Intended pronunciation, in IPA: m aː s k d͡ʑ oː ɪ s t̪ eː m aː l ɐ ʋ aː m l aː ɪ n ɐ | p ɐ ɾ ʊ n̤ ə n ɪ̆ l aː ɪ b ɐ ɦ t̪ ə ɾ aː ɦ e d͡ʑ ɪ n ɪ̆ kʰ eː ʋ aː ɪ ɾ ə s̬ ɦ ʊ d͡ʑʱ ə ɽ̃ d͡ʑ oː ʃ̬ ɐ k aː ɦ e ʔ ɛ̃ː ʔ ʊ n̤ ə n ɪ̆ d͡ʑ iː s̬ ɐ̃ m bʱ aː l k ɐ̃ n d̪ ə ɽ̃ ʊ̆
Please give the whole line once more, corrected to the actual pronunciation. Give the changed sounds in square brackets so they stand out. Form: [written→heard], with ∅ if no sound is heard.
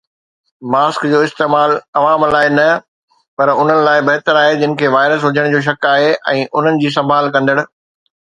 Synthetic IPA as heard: m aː s k d͡ʑ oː ɪ s t̪ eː m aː l ɐ ʋ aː m l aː ɪ n ɐ | p ɐ ɾ ʊ n̤ ə n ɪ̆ l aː ɪ b ɐ ɦ t̪ ə ɾ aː ɦ e d͡ʑ ɪ n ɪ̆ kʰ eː ʋ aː ɪ ɾ ə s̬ ɦ ʊ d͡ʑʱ ə ɽ̃ d͡ʑ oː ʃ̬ ɐ k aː ɦ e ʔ ɛ̃ː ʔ ʊ n̤ ə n ɪ̆ d͡ʑ iː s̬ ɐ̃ m bʱ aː l k ɐ̃ n d̪ ə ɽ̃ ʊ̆